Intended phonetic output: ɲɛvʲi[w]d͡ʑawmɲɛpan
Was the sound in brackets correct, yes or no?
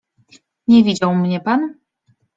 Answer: no